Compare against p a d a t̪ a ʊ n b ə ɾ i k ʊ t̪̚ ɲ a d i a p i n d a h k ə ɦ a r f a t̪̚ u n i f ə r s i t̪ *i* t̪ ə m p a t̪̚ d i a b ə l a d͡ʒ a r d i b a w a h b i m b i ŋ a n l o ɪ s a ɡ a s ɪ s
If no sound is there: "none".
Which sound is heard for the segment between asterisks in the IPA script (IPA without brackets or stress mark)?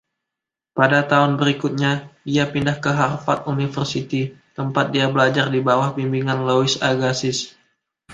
i